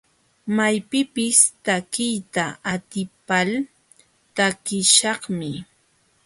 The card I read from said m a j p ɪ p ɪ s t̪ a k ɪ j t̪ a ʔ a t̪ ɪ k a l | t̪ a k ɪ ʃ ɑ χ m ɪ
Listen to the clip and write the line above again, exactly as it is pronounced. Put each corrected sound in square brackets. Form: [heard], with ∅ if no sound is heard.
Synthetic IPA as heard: m a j p ɪ p ɪ s t̪ a k ɪ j t̪ a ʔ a t̪ ɪ [p] a l | t̪ a k ɪ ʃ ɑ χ m ɪ